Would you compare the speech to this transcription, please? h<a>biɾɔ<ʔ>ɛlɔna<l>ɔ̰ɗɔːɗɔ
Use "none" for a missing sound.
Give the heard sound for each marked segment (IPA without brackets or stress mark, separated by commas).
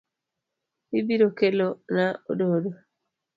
i, k, none